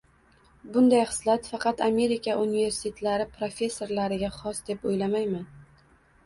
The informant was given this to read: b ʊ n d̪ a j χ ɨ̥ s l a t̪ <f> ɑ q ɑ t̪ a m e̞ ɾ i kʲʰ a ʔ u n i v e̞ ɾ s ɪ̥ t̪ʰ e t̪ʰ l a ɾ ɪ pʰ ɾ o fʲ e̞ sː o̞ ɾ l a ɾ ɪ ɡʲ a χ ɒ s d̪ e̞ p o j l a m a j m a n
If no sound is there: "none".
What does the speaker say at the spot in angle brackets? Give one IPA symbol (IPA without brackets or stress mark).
f